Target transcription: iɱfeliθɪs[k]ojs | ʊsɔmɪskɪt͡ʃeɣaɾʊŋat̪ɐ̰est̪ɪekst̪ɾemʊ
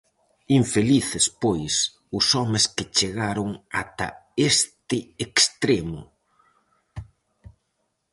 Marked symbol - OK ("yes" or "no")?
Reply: no